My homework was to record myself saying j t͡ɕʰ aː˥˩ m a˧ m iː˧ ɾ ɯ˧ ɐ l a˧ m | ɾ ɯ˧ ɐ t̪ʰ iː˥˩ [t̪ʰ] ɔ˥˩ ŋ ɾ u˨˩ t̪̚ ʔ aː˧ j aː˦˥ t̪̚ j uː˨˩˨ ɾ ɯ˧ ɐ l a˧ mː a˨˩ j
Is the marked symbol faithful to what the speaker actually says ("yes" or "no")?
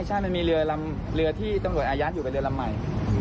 no